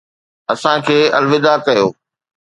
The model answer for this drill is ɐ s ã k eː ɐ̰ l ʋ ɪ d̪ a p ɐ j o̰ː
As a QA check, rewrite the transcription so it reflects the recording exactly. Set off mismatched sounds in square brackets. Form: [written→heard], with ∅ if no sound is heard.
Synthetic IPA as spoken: ɐ s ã [k→kʰ] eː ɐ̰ l ʋ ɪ d̪ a [p→k] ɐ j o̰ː